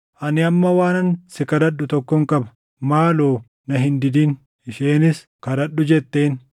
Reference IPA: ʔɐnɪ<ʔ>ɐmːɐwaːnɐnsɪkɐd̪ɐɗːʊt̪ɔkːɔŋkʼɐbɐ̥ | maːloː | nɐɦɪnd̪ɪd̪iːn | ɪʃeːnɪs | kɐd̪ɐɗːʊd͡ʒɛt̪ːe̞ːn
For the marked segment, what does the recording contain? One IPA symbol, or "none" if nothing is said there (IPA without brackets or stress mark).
none